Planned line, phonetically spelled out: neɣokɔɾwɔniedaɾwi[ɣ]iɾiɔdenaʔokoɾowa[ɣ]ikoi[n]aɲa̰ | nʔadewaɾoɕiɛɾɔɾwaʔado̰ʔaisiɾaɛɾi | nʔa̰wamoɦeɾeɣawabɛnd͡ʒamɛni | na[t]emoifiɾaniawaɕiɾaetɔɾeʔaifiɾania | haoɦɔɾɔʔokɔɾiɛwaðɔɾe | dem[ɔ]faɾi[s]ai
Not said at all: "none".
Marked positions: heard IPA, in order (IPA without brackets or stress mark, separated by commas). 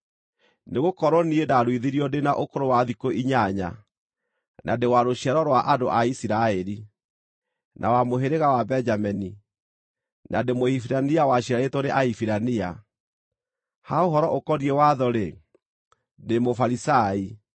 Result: ð, ð, ɲ, d, o, s